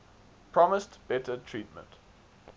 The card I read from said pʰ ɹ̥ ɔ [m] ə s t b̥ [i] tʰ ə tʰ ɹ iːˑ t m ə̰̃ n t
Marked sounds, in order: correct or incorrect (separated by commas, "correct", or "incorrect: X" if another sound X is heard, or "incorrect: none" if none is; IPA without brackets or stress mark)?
correct, incorrect: ɛ